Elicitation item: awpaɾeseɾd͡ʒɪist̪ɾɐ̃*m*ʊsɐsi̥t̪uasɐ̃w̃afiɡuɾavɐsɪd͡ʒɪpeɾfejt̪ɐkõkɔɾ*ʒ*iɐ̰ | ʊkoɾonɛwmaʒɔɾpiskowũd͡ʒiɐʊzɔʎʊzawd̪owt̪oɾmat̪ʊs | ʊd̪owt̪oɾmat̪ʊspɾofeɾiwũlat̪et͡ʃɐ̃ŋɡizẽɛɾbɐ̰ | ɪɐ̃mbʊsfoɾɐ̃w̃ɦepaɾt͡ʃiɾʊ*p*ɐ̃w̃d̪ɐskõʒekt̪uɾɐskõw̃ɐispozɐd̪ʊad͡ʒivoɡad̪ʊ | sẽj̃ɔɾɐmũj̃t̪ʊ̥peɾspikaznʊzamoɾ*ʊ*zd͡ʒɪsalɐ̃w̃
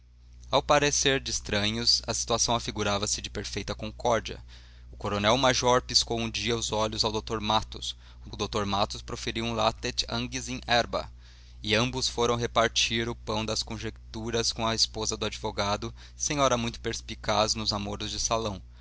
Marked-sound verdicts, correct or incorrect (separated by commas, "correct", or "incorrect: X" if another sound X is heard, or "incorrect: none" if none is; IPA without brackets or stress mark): incorrect: ɲ, incorrect: d͡ʒ, correct, correct